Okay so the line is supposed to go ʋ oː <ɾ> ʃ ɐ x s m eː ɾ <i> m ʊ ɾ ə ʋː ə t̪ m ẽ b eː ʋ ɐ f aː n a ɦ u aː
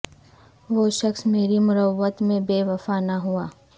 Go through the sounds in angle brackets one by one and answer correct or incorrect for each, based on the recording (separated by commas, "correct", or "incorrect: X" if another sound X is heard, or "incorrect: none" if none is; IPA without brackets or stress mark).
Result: incorrect: none, correct